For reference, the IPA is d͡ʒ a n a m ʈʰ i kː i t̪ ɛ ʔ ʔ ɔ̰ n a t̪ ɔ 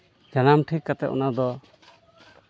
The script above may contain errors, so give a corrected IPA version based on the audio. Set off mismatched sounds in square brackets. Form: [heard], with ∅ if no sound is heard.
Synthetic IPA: d͡ʒ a n a m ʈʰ i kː [a] t̪ ɛ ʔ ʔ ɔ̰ n a [d̪] ɔ